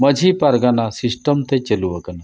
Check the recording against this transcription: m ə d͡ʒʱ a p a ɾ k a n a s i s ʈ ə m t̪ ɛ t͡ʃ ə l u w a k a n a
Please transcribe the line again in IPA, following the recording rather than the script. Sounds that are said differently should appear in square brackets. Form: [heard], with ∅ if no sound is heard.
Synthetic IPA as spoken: m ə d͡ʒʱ [i] p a ɾ [ɡ] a n a s i s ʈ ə m t̪ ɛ t͡ʃ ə l u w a k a n a